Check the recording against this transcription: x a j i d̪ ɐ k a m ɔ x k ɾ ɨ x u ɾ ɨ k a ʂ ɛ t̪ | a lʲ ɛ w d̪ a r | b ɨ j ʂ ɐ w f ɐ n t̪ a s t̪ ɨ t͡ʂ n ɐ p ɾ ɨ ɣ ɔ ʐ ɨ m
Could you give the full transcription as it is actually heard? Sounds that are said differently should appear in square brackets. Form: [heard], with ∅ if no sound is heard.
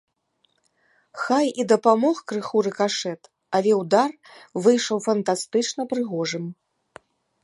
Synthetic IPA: x a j i d̪ ɐ [p] a m ɔ x k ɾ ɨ x u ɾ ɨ k a ʂ ɛ t̪ | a lʲ ɛ w d̪ a r | [v] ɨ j ʂ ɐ w f ɐ n t̪ a s t̪ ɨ t͡ʂ n ɐ p ɾ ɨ ɣ ɔ ʐ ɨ m